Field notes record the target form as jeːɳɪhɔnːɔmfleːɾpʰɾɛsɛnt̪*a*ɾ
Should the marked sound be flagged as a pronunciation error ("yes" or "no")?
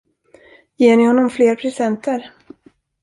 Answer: yes